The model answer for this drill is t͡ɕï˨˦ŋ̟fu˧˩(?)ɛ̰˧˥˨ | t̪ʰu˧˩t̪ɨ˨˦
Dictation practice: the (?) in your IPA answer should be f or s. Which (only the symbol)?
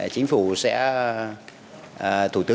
s